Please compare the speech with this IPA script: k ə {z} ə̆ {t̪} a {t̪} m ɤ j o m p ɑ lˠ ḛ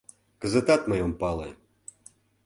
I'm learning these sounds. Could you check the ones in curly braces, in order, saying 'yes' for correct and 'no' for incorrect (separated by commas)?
yes, yes, yes